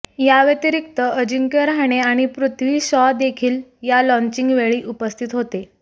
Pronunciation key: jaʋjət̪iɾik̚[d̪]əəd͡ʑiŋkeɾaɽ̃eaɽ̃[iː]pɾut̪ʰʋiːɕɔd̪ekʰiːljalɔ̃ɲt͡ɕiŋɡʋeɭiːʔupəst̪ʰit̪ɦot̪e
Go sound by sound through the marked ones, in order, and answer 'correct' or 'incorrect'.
incorrect, incorrect

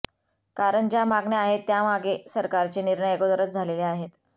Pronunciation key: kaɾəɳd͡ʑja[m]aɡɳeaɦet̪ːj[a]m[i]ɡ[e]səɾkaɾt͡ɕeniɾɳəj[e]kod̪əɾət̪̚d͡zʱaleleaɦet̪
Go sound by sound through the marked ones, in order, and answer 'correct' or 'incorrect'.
correct, correct, incorrect, correct, correct

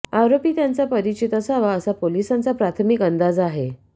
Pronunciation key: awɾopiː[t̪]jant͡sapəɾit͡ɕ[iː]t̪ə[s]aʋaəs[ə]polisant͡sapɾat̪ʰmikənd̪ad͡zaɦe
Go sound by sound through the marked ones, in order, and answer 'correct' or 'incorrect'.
correct, incorrect, correct, incorrect

